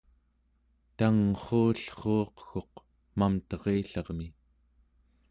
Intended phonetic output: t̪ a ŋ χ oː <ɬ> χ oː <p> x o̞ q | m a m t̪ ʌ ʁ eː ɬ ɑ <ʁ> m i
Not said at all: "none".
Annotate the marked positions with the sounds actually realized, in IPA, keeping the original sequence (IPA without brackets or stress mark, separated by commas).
ɬ, q, ʁ